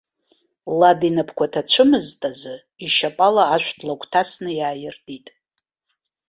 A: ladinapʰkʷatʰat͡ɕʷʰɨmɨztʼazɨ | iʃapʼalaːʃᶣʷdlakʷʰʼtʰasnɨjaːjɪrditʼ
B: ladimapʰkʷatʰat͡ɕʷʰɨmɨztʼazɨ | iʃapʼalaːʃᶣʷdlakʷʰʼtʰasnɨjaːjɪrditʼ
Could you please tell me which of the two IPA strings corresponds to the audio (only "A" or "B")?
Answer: A